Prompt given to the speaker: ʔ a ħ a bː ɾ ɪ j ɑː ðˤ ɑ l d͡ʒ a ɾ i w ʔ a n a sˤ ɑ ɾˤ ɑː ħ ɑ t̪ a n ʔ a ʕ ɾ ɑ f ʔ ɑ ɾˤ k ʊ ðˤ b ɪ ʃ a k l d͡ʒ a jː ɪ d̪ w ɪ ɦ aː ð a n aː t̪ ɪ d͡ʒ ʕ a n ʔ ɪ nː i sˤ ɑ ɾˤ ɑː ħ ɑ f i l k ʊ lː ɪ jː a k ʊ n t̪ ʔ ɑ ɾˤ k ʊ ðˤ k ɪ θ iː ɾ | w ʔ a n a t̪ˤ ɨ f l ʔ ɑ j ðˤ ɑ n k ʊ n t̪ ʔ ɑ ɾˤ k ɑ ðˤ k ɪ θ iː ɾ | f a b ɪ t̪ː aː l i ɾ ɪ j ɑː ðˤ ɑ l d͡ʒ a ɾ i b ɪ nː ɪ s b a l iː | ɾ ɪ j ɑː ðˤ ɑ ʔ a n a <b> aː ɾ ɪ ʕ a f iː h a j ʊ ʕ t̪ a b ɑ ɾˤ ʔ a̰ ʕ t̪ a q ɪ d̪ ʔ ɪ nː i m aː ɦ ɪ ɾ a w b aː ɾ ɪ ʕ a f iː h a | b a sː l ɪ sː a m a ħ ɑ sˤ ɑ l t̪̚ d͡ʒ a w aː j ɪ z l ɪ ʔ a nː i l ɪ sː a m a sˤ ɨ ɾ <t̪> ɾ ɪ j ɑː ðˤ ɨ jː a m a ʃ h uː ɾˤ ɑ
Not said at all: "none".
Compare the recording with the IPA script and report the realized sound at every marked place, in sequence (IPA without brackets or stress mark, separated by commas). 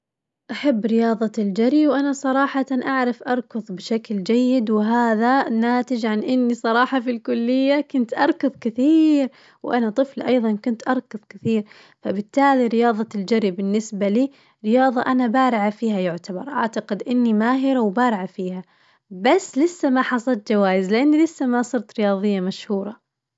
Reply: b, t̪